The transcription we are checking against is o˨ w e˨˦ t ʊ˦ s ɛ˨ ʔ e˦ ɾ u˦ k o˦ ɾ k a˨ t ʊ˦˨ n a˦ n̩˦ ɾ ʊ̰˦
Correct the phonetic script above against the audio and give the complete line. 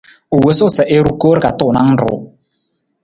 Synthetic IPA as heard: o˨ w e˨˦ s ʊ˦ s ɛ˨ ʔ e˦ ɾ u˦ k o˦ ɾ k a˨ t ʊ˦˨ n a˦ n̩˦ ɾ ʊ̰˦